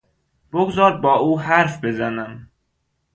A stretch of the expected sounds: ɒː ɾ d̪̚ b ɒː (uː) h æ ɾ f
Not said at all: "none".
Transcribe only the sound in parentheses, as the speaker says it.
uː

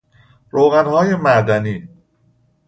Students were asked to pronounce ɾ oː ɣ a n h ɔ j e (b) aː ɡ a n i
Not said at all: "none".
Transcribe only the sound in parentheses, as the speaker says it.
m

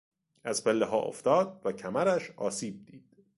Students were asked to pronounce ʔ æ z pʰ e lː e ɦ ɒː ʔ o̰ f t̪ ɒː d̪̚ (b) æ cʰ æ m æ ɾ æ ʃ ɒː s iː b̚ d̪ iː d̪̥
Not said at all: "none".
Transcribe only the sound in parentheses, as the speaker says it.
v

